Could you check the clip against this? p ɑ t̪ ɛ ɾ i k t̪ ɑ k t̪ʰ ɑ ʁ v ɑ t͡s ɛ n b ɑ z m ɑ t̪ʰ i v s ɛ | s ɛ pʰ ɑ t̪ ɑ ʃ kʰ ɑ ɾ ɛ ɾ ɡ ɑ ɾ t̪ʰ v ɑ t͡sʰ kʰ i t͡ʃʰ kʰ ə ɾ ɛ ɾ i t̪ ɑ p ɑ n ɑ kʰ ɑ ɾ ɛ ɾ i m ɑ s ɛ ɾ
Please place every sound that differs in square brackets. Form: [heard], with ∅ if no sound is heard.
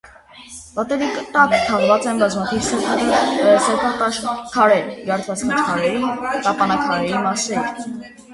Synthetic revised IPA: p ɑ t̪ ɛ ɾ i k t̪ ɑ k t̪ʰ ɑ ʁ v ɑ t͡s ɛ n b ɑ z m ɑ t̪ʰ i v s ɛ | s ɛ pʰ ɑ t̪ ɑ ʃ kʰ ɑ ɾ ɛ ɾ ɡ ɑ ɾ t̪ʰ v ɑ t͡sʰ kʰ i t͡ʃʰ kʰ [ɑ] ɾ ɛ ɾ i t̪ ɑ p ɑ n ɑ kʰ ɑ ɾ ɛ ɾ i m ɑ s ɛ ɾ